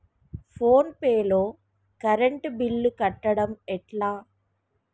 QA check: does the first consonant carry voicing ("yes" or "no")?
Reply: no